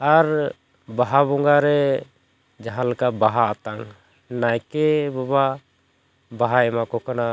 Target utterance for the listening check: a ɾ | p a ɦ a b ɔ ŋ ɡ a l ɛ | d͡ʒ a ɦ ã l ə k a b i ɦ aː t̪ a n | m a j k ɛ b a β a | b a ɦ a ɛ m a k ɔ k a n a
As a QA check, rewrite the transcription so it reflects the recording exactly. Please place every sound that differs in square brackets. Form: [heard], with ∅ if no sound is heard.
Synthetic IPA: a ɾ | [b] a ɦ a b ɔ ŋ ɡ a [ɾ] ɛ | d͡ʒ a ɦ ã l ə k a b [a] ɦ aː t̪ a [ŋ] | [n] a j k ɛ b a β a | b a ɦ a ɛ m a k ɔ k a n a